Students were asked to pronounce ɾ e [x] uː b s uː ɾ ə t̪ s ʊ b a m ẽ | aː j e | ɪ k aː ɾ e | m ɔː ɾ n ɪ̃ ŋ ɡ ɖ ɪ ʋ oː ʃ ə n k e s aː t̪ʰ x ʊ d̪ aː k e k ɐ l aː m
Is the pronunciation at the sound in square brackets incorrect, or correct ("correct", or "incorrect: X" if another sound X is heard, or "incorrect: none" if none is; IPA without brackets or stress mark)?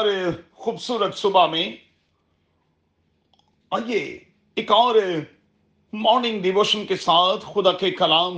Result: correct